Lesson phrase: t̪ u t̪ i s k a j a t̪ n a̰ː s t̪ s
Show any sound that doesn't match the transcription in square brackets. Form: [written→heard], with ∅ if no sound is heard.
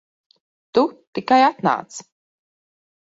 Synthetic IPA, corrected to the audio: t̪ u t̪ i [s→∅] k a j a t̪ n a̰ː [s→∅] t̪ s